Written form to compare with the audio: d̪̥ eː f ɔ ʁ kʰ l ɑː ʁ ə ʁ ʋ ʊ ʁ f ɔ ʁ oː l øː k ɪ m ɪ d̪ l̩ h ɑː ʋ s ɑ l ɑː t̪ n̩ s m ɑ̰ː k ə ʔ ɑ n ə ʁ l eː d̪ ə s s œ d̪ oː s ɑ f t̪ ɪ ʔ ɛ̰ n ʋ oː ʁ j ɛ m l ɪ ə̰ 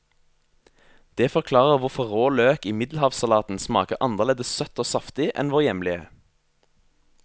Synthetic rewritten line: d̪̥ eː f ɔ ʁ kʰ l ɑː ʁ ə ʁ ʋ ʊ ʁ f ɔ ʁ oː l øː k ɪ m ɪ d̪ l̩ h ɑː ʋ s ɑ l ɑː t̪ n̩ s m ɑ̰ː k ə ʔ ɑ n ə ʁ l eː d̪ ə s s œ t̪ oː s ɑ f t̪ ɪ ʔ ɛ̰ n ʋ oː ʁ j ɛ m l ɪ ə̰